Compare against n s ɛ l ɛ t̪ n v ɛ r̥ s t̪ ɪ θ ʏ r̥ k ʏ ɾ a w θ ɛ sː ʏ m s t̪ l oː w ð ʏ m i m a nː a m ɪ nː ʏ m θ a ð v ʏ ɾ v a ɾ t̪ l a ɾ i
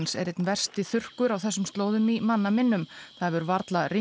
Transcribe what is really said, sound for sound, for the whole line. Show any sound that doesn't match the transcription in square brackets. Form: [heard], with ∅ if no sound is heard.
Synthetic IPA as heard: n s ɛ [ɾ] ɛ t̪ n v ɛ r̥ s t̪ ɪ θ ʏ r̥ k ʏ ɾ a w θ ɛ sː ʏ m s t̪ l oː w ð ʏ m i m a nː a m ɪ nː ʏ m θ a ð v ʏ ɾ v a ɾ t̪ l a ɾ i